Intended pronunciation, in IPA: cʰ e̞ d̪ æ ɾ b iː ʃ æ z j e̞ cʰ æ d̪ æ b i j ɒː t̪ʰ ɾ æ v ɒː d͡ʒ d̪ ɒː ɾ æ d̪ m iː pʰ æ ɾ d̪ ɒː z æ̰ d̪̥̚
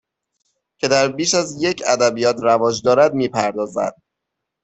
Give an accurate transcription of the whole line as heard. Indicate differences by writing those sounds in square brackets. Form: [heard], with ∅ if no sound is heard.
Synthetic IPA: cʰ e̞ d̪ æ ɾ b iː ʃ æ z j e̞ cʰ æ d̪ æ b i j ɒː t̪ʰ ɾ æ v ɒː d͡ʒ d̪ ɒː ɾ æ d̪ m iː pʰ æ ɾ d̪ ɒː z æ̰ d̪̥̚